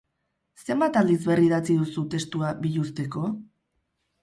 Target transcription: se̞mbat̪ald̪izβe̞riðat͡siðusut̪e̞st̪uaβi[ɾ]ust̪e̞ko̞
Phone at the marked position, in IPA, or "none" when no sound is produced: ʎ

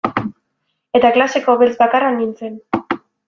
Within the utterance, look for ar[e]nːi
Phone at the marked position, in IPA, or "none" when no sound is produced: a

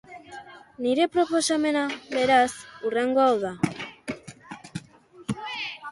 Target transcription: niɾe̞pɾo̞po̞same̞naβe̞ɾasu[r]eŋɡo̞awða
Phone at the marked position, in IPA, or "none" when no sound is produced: r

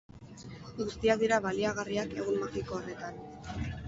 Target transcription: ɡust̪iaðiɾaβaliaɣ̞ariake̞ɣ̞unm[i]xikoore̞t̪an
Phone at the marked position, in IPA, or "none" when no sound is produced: a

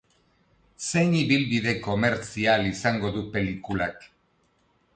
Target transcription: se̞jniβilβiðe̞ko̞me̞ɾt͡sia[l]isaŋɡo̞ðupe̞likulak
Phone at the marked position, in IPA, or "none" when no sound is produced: l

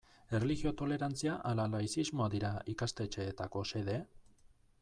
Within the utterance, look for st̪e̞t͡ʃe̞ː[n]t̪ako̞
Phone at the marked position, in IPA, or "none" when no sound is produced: none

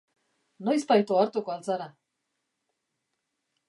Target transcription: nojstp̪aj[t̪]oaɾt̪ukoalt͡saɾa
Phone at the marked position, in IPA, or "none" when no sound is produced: t̪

